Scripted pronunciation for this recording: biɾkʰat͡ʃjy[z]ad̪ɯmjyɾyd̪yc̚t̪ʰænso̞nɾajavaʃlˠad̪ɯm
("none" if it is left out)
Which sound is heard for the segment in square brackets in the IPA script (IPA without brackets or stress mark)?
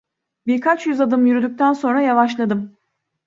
z